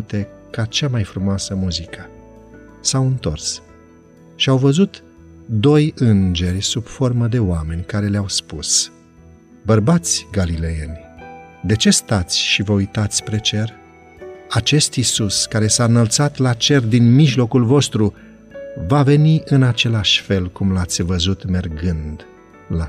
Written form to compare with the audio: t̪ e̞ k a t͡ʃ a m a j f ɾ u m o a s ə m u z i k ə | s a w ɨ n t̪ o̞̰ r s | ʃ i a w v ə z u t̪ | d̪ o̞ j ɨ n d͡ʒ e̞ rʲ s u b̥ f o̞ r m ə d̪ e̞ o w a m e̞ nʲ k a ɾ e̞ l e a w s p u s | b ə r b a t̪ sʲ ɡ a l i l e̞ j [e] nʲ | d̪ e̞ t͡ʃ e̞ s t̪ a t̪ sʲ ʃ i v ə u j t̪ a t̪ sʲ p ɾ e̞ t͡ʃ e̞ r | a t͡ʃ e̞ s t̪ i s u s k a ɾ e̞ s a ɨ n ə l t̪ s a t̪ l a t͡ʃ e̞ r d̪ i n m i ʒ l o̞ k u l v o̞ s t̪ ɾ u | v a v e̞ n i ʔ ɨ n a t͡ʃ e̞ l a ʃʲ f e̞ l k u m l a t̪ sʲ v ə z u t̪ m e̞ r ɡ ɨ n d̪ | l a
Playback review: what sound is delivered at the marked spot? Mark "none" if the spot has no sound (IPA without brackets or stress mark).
e